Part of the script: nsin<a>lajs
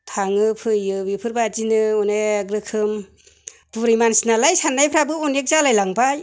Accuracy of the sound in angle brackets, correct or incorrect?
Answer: correct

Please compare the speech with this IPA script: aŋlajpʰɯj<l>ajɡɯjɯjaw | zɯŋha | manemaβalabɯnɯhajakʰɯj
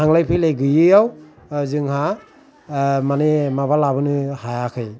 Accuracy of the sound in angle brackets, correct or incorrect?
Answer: correct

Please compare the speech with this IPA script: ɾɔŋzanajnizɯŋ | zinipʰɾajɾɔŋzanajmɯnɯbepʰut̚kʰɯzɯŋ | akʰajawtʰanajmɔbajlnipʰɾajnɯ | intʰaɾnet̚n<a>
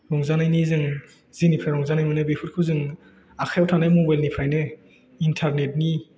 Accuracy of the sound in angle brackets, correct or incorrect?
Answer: incorrect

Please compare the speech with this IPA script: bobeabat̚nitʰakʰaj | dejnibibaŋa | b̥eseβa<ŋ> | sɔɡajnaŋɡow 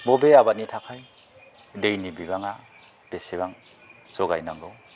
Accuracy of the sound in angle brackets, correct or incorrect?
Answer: correct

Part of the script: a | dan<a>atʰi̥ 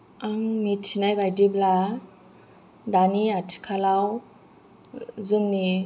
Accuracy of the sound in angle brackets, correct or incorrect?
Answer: incorrect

